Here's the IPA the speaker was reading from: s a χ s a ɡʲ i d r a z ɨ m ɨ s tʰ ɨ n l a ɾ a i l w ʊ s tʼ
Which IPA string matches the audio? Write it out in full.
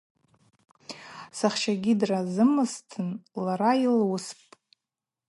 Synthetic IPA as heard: s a χ ʃ a ɡʲ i d r a z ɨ m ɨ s tʰ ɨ n l a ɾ a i l w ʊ s pʼ

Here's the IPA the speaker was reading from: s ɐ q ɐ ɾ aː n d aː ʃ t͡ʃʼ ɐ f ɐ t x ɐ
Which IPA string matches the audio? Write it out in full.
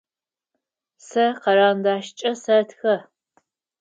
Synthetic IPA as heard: s ɐ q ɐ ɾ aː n d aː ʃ t͡ʃʼ ɐ s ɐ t x ɐ

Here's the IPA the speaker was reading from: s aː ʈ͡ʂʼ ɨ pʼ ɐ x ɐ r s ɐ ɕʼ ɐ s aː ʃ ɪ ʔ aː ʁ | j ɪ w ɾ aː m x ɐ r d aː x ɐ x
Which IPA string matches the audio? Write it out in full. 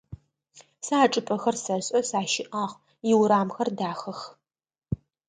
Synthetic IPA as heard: s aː ʈ͡ʂʼ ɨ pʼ ɐ x ɐ r s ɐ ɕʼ ɐ s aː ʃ ɪ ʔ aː ʁ | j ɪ w ɾ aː m x ɐ r d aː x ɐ x

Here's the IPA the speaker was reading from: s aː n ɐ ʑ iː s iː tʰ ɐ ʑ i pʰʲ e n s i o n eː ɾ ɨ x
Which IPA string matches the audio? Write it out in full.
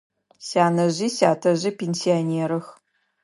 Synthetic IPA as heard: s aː n ɐ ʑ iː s aː tʰ ɐ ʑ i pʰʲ e n s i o n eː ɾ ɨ x

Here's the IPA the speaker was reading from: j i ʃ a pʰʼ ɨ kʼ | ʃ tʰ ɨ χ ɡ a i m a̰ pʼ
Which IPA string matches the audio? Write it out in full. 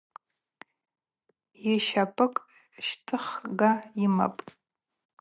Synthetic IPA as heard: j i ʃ a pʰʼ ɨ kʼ | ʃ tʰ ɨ χ ɡ a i m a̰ pʼ

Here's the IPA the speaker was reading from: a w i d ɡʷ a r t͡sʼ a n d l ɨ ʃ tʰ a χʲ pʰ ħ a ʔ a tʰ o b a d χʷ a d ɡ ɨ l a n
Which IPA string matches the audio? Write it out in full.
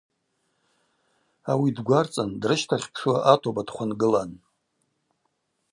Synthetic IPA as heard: a w i d ɡʷ a r t͡sʼ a n d r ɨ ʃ tʰ a χʲ pʰ ʂ a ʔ a tʰ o b a d χʷ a n ɡ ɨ l a n

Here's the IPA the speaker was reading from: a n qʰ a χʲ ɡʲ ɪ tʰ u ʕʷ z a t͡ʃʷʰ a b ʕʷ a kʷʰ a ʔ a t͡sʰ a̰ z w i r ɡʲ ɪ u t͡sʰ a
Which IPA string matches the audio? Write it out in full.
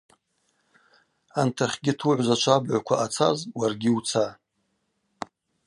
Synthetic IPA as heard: a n tʰ a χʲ ɡʲ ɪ tʰ u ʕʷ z a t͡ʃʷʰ a b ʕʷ a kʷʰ a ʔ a t͡sʰ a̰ z w a r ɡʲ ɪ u t͡sʰ a

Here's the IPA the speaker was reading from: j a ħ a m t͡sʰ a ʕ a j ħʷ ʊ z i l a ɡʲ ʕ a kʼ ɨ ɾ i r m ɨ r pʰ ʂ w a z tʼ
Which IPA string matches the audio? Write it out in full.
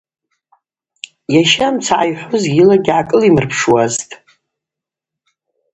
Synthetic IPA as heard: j a ʃ a m t͡sʰ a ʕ a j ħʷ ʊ z i l a ɡʲ ʕ a kʼ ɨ l i m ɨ r pʰ ʂ w a z tʼ

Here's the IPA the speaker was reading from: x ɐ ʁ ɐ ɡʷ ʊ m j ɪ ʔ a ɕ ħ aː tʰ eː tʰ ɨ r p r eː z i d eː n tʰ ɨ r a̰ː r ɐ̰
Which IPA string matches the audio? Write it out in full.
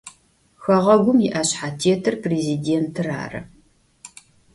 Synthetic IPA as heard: x ɐ ʁ ɐ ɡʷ ʊ m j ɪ ʔ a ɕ ħ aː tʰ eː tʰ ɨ r p r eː z i d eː n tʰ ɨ r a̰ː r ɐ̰

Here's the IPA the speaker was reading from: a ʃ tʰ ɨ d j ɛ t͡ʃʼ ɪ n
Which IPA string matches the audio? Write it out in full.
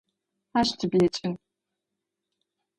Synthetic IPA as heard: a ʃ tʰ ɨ b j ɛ t͡ʃʼ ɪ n

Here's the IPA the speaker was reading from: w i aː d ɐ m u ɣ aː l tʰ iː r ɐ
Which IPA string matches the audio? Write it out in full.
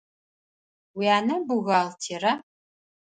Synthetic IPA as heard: w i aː n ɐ b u ɣ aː l tʰ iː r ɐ

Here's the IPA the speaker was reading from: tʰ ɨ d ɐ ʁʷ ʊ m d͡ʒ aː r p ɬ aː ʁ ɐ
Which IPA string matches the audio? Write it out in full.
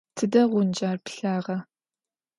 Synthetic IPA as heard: tʰ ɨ d ɐ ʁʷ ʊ n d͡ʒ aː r p ɬ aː ʁ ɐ

